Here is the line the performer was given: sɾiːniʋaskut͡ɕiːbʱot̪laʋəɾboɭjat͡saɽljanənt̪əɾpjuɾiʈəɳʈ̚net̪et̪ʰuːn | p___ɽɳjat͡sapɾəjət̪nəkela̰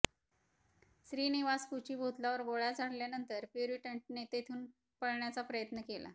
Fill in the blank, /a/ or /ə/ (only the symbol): ə